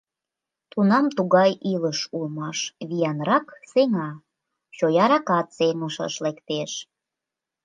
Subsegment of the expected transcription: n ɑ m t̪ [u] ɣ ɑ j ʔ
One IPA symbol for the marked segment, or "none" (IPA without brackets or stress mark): u